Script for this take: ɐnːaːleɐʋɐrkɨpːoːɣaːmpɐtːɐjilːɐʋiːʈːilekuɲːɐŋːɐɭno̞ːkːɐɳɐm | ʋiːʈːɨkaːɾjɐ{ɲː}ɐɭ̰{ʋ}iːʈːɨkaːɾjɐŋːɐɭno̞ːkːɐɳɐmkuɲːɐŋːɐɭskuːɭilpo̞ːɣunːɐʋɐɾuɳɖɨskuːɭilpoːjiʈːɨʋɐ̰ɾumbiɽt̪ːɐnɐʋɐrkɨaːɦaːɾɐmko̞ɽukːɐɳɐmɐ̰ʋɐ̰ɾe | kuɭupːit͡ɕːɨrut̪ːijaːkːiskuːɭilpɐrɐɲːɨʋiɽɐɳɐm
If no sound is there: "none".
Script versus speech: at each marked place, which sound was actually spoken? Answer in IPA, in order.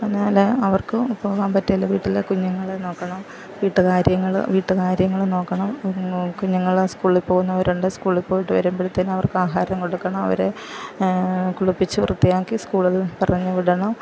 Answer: ŋː, ʋ

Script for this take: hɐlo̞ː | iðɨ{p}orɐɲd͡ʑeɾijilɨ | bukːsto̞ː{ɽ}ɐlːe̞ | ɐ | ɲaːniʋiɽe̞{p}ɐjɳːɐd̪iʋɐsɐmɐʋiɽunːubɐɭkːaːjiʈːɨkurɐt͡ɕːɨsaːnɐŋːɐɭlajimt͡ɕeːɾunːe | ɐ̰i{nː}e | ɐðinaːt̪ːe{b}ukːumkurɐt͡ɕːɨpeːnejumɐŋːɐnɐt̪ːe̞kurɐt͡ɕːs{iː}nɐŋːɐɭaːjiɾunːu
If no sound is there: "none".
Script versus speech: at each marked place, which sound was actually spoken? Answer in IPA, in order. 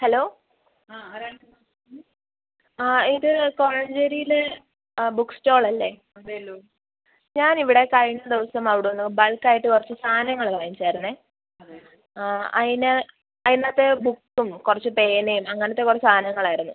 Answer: k, ɭ, k, n, b, aː

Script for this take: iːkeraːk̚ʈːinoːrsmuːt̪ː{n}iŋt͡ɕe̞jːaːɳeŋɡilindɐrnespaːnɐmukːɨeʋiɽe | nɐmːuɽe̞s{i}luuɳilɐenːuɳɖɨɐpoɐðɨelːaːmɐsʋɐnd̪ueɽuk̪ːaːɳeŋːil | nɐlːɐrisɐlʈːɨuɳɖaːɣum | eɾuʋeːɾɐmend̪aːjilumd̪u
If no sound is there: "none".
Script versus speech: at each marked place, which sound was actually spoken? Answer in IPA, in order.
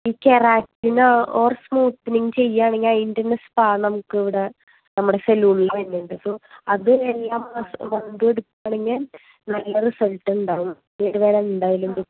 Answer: n, e

